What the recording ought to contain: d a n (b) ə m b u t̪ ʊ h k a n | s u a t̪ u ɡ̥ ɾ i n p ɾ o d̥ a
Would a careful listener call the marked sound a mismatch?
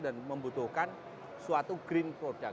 yes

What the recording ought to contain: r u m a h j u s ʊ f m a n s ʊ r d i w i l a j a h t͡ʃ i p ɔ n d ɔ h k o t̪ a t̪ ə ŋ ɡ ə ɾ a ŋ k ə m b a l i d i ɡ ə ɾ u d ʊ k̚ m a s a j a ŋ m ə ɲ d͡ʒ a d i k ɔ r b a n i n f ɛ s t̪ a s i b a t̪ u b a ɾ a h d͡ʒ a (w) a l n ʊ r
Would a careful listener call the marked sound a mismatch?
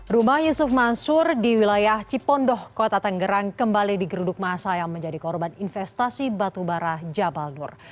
yes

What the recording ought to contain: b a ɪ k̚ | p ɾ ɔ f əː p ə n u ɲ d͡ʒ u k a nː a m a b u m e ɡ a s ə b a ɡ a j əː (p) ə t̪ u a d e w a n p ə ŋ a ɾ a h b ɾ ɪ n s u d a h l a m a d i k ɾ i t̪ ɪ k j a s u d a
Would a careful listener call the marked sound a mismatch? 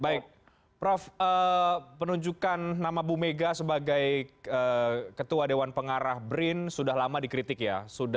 yes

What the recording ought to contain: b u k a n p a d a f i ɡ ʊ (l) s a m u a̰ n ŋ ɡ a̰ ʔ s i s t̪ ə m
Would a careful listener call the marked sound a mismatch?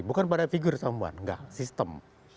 yes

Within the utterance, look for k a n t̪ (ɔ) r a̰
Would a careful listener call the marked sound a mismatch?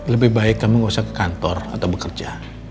no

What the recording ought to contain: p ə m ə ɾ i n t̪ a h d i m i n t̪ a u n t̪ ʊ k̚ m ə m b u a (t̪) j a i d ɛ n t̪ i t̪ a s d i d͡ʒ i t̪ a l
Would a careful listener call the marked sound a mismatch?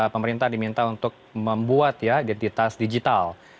no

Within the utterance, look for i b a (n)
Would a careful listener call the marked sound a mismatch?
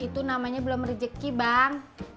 yes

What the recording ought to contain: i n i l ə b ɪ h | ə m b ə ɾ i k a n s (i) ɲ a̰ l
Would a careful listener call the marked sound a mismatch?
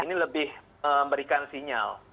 no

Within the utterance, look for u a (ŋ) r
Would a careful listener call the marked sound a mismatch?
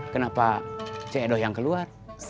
yes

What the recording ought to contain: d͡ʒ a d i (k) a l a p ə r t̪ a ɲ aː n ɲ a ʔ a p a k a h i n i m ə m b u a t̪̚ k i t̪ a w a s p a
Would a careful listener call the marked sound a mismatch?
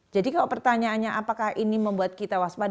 no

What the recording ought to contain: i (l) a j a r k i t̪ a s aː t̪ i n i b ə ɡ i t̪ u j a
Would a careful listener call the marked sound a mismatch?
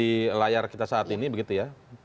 no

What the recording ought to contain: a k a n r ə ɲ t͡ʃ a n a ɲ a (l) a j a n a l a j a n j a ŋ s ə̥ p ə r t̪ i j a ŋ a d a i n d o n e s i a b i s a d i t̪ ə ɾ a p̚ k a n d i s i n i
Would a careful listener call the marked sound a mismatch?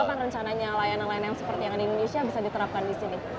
no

